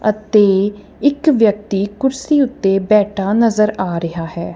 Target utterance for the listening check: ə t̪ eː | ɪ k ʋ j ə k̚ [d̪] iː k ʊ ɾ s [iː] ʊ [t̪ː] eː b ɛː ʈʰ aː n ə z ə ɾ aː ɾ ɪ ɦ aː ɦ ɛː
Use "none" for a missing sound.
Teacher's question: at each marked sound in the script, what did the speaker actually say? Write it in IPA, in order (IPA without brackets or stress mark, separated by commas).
t̪, iː, t̪ː